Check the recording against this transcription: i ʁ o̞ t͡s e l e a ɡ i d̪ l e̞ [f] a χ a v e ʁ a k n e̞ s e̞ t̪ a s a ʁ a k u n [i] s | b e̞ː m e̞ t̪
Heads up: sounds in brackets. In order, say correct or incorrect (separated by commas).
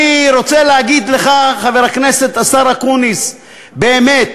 incorrect, correct